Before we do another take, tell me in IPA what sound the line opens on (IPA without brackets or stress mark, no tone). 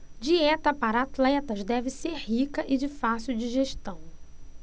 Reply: d͡ʒ